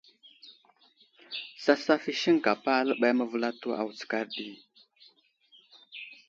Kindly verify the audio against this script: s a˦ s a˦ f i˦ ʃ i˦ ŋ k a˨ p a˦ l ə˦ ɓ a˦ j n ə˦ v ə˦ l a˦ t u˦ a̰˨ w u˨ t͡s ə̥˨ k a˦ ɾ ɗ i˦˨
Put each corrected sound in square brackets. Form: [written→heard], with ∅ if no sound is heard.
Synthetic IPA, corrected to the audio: s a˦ s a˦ f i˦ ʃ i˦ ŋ k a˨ p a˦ l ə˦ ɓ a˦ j [n→m] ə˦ v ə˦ l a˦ t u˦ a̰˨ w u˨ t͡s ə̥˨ k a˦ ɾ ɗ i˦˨